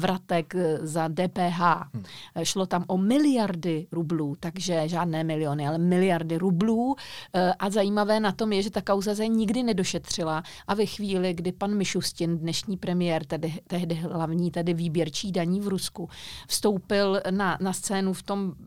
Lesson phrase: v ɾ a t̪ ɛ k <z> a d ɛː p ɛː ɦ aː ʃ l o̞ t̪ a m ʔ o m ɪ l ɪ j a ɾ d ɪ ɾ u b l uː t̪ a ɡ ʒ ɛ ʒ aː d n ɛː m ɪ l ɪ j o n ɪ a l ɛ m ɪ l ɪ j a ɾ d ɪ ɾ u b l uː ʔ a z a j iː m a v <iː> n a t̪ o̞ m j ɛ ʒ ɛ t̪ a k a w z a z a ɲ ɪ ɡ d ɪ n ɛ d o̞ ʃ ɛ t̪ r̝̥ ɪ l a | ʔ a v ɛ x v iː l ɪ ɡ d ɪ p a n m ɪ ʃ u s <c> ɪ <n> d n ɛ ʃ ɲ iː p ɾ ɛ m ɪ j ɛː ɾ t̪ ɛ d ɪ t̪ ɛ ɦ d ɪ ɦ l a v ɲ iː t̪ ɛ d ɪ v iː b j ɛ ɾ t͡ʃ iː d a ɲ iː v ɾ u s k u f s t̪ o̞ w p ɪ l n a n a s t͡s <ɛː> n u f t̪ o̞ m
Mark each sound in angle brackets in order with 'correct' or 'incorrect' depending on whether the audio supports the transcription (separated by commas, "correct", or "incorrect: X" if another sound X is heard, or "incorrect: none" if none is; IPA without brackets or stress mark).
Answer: correct, incorrect: ɛː, correct, correct, correct